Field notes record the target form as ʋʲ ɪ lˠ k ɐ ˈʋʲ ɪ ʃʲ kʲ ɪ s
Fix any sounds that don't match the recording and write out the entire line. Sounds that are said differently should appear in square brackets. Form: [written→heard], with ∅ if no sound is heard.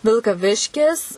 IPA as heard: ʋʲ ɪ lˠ k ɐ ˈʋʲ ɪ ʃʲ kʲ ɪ s